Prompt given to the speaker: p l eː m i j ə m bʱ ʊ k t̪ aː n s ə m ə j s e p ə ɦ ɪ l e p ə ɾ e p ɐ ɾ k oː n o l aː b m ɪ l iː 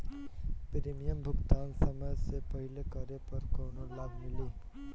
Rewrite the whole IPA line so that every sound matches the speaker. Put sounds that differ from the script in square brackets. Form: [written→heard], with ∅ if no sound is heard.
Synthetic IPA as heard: p [l→ɾ] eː m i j ə m bʱ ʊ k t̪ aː n s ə m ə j s e p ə ɦ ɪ l e [p→k] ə ɾ e p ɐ ɾ k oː n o l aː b m ɪ l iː